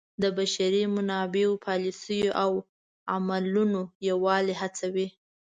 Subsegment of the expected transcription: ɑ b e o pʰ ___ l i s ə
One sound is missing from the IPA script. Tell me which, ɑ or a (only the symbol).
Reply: ɑ